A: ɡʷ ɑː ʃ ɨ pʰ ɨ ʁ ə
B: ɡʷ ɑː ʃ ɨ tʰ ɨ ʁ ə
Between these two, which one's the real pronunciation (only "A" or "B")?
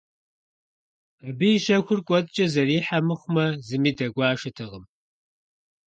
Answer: B